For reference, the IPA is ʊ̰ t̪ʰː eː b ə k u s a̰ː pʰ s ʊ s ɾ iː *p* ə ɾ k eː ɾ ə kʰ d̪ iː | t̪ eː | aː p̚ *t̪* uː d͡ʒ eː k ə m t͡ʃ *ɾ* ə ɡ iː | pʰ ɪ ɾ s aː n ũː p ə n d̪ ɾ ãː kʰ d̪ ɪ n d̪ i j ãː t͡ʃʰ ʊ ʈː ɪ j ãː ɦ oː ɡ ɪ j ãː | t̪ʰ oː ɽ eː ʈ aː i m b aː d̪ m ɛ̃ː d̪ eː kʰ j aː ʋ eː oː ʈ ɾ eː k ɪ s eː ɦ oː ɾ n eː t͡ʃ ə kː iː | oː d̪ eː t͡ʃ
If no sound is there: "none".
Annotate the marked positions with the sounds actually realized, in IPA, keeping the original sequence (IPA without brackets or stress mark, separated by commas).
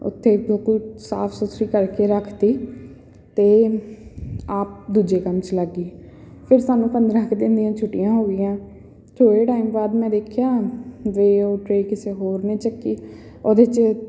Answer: k, d̪, l